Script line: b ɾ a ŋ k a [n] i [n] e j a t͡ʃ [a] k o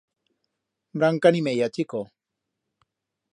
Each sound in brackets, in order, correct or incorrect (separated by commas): correct, incorrect, incorrect